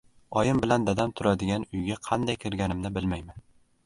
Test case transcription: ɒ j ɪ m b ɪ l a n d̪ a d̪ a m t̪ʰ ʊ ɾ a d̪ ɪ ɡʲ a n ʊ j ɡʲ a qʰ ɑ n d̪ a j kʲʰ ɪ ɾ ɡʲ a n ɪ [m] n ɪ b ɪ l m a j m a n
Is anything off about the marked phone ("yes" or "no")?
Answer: no